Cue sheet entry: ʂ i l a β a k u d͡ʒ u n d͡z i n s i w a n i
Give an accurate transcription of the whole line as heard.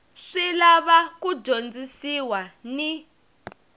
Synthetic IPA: ʂ i l a β a k u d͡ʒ o n d͡z i s i w a n i